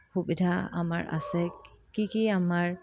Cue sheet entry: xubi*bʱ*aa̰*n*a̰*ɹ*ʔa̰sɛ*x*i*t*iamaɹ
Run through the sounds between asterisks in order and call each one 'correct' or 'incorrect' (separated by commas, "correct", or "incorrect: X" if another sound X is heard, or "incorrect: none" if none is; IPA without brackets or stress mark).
incorrect: dʱ, incorrect: m, correct, incorrect: k, incorrect: k